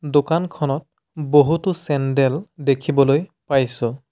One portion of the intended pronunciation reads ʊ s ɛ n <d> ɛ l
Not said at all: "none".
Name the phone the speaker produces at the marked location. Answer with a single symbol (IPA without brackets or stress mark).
d